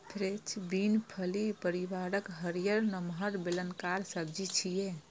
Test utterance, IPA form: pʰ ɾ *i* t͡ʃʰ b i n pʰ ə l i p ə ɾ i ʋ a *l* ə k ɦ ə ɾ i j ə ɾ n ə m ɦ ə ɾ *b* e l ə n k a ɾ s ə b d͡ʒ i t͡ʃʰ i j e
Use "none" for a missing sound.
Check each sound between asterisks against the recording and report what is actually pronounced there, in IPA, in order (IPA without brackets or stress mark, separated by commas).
e, ɾ, b